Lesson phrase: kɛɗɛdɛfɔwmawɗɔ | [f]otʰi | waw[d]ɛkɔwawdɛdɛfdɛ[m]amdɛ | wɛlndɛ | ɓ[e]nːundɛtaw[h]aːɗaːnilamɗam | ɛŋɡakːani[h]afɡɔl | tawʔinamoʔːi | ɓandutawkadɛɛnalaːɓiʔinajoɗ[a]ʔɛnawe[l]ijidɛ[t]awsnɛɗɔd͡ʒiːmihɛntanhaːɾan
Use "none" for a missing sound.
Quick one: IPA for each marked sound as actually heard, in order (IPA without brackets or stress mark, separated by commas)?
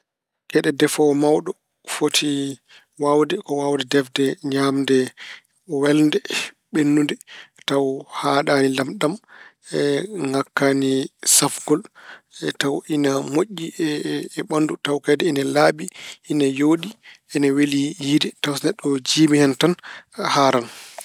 f, d, ɲ, e, h, s, i, l, t